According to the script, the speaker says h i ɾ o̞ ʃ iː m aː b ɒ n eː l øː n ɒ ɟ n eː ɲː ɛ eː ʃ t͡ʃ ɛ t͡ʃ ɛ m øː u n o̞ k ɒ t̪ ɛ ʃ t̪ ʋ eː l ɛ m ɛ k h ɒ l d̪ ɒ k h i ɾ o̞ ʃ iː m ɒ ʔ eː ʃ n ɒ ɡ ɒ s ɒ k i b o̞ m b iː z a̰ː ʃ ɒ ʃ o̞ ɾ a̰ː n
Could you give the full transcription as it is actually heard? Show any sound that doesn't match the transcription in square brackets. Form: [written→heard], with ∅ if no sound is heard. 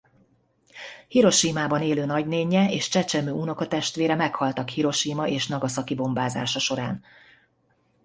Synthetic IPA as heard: h i ɾ o̞ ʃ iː m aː b ɒ n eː l øː n ɒ ɟ n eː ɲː ɛ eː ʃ t͡ʃ ɛ t͡ʃ ɛ m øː u n o̞ k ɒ t̪ ɛ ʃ t̪ ʋ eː [l→ɾ] ɛ m ɛ k h ɒ l [d̪→t̪] ɒ k h i ɾ o̞ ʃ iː m ɒ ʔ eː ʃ n ɒ ɡ ɒ s ɒ k i b o̞ m b [iː→aː] z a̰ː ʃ ɒ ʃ o̞ ɾ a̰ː n